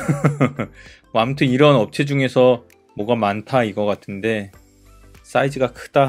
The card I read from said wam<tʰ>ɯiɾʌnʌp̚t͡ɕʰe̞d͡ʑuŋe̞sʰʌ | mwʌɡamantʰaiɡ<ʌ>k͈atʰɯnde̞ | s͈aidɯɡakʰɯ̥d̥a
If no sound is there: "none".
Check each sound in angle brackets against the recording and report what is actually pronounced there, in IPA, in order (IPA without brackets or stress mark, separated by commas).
tʰ, ʌ